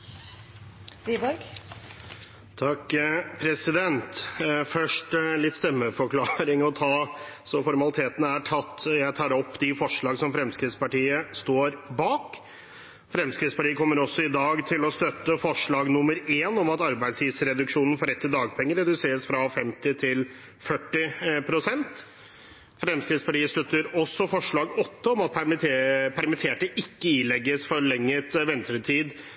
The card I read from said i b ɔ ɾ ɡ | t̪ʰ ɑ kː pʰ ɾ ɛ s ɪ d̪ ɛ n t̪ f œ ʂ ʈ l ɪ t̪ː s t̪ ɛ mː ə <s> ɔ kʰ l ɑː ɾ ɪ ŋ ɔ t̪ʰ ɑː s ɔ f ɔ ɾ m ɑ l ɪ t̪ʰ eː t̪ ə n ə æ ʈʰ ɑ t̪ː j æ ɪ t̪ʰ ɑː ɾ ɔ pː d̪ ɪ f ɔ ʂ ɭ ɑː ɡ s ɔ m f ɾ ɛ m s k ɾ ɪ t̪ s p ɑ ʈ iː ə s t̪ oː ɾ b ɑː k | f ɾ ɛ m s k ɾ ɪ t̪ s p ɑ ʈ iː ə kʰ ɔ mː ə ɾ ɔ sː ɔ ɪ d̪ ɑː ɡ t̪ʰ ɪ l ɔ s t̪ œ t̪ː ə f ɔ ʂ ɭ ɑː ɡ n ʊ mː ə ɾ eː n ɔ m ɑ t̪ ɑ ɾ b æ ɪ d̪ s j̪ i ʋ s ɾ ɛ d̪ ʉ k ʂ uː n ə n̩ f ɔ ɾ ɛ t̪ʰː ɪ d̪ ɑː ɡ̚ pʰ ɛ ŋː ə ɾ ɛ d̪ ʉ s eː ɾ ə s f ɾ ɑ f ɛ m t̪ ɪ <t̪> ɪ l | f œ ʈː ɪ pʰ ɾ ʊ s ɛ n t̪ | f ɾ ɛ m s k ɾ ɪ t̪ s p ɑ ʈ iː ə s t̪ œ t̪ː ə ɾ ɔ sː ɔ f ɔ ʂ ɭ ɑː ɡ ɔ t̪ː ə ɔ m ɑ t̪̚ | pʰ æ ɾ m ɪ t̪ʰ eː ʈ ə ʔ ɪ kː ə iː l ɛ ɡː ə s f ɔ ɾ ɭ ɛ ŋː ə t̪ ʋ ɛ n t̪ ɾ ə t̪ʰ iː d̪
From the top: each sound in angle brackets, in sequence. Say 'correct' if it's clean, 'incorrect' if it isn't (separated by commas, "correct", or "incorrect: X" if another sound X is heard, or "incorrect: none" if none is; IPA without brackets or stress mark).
incorrect: f, incorrect: t̪ʰ